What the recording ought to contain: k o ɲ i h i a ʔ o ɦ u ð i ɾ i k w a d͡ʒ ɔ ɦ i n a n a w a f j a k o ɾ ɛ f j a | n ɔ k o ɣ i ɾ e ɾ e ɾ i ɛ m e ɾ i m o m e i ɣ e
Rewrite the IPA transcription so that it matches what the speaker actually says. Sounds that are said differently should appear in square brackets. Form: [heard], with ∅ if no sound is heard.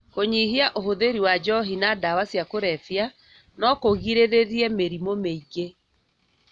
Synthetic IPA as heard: k o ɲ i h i a ʔ o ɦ [o] ð [e] ɾ i [∅] w a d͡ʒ ɔ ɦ i n a [d] a w a [s] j a k o ɾ ɛ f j a | n ɔ k o ɣ i ɾ e ɾ e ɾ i ɛ m e ɾ i m o m e i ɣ e